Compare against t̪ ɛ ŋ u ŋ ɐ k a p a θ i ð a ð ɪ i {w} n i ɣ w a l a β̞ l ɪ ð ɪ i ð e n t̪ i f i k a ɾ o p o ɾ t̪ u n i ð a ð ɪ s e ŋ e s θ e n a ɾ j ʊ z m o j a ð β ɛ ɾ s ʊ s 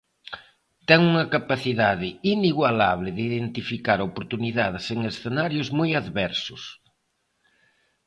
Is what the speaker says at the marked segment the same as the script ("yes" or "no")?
no